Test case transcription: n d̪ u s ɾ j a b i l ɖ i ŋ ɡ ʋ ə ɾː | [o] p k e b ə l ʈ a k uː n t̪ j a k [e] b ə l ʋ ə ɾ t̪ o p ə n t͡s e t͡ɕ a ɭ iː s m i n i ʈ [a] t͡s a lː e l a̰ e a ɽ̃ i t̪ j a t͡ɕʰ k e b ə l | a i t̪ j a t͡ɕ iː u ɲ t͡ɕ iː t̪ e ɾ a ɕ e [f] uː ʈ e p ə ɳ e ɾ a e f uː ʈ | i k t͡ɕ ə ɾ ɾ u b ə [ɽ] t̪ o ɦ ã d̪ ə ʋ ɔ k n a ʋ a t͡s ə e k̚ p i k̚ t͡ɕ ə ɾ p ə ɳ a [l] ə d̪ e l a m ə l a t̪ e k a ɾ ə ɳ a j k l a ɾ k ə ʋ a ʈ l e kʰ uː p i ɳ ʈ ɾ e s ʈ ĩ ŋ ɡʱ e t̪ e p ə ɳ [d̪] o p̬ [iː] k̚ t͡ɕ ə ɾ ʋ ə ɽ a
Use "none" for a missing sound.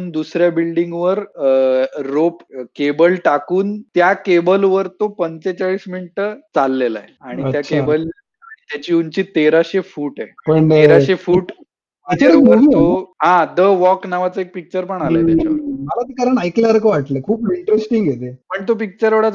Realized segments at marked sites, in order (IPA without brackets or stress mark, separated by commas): o, e, ə, f, ɾ, l, t̪, i